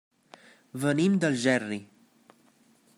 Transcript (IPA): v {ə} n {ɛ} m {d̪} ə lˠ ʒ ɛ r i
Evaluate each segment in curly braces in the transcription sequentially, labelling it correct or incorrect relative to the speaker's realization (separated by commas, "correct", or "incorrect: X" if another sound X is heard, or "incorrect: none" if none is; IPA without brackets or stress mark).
correct, incorrect: i, correct